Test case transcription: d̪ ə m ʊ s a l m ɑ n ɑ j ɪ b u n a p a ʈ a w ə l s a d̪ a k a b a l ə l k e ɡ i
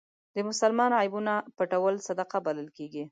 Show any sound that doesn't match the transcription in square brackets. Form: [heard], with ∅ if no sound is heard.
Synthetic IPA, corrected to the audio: d̪ ə m ʊ s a l m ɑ n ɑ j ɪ b u n a p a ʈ a w ə l s a d̪ a [q] a b a l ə l k e ɡ i